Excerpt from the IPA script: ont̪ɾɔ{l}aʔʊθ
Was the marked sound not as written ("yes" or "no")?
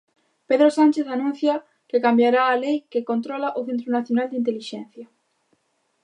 no